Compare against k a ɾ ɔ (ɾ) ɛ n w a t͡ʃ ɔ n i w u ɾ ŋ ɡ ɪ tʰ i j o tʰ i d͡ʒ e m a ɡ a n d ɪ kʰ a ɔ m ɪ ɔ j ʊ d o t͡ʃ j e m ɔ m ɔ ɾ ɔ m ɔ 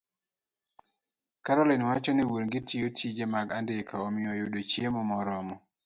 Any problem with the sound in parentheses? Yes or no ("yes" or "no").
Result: yes